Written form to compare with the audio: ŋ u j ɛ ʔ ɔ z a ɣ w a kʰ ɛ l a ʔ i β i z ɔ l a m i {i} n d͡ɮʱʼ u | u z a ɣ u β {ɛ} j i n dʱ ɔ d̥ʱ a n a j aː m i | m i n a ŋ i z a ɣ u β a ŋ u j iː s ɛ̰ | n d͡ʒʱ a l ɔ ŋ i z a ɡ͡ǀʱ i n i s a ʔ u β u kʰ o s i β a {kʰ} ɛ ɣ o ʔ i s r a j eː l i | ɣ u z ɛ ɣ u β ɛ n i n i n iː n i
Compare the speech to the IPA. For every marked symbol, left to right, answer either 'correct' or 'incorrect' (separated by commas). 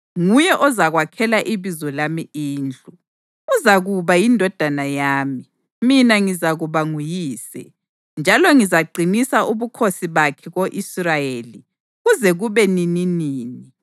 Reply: incorrect, incorrect, correct